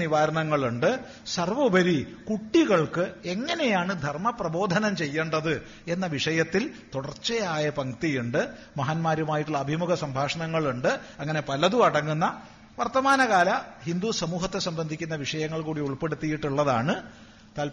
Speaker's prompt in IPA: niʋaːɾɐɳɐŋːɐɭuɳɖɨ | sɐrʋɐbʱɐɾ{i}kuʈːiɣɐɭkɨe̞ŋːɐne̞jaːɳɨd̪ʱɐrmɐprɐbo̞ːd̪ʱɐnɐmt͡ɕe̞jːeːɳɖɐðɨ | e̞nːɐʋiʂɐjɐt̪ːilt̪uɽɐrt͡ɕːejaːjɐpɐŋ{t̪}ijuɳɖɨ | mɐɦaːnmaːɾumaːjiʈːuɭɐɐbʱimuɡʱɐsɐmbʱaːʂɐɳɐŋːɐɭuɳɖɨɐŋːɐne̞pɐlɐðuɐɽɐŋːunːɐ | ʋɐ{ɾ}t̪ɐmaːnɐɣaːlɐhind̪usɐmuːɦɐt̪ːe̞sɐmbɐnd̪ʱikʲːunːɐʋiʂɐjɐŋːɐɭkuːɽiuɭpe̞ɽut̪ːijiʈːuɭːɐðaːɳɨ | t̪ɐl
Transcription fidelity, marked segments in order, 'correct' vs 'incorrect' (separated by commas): correct, correct, incorrect